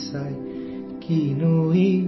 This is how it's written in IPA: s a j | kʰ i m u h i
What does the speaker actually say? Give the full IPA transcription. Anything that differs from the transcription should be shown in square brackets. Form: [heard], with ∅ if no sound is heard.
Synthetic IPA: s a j | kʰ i [n] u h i